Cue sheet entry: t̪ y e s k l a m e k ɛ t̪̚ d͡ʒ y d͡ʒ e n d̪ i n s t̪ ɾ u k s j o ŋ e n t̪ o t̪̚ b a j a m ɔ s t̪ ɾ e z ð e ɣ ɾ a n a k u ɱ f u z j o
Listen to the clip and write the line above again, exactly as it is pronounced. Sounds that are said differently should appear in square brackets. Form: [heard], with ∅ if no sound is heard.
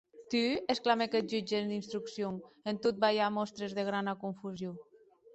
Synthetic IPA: t̪ y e s k l a m e k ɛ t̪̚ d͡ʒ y d͡ʒ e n d̪ i n s t̪ ɾ u k s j o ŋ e n t̪ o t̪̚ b a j a m ɔ s t̪ ɾ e z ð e ɣ ɾ a n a k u ɱ f u z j o